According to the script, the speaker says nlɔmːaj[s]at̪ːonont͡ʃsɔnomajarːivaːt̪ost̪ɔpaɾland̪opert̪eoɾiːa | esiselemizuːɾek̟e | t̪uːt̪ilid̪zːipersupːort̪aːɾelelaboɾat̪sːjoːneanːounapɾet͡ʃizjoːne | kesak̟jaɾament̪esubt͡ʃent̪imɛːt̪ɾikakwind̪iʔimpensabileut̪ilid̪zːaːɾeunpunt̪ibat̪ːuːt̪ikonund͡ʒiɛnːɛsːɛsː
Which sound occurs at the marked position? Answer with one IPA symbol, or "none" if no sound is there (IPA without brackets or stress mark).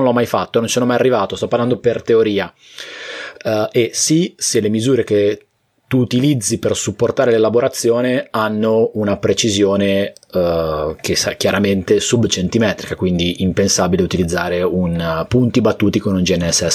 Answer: f